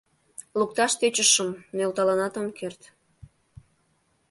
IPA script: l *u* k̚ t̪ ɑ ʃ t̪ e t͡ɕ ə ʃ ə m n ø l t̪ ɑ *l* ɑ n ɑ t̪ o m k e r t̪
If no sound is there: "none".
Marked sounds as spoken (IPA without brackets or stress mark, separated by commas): u, l